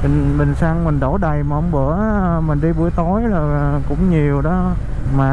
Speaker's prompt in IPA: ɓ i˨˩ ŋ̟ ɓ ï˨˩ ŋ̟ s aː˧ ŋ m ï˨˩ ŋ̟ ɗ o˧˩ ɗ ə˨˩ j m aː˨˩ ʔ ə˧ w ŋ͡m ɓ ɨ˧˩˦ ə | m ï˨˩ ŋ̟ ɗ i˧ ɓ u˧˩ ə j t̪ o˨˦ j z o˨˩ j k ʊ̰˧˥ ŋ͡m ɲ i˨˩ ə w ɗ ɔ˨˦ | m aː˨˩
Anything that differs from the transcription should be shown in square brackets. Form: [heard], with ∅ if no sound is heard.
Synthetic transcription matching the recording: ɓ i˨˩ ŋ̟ ɓ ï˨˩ ŋ̟ s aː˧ ŋ m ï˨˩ ŋ̟ ɗ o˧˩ ɗ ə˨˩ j m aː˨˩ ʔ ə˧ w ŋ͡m ɓ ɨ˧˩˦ ə | m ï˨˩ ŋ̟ ɗ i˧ ɓ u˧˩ ə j t̪ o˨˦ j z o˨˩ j k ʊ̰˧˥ ŋ͡m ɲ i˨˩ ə w ɗ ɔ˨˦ | m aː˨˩